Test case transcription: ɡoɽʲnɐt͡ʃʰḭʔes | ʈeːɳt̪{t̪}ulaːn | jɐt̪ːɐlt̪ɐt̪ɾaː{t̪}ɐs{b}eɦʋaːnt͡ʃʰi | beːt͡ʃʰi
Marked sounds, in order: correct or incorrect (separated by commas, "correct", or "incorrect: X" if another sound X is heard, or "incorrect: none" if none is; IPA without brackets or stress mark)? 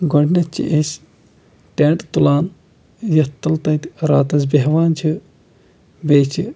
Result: correct, correct, correct